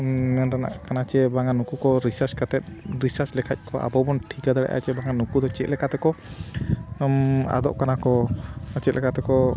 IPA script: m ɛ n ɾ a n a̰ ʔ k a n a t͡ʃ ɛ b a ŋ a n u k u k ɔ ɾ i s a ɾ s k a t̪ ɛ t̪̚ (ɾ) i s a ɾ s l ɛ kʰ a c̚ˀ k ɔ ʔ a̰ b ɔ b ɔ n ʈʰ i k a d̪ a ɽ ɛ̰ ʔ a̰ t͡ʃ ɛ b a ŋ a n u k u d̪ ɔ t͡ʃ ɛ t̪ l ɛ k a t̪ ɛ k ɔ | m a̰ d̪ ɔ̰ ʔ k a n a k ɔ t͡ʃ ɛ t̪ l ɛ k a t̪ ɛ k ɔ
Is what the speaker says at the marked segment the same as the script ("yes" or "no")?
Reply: yes